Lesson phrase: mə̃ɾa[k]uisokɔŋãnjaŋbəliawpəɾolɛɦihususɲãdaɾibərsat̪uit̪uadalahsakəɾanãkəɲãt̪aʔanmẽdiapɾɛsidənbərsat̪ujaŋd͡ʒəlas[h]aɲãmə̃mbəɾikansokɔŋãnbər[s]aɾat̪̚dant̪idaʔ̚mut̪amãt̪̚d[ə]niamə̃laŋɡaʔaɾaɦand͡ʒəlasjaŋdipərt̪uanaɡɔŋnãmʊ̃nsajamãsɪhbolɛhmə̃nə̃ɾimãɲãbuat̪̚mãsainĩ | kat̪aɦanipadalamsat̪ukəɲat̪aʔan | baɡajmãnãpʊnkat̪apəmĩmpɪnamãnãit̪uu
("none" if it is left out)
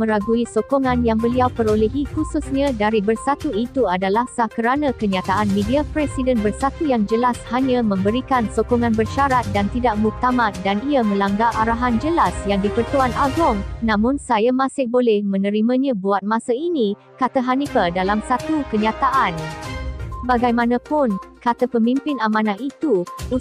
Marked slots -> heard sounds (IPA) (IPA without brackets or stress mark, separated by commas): ɡ, h, ʃ, a